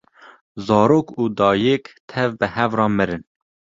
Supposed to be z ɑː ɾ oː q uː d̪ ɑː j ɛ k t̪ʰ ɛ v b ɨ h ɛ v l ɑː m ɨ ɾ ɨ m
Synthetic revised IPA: z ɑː ɾ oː k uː d̪ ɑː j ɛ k t̪ʰ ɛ v b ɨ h ɛ v r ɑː m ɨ ɾ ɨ n